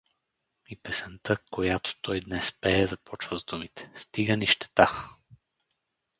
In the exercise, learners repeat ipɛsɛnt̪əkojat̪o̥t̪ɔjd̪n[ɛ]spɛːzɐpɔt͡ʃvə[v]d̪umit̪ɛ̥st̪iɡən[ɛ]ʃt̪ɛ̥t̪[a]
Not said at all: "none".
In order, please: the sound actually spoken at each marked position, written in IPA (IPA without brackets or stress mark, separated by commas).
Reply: ɛ, z, i, a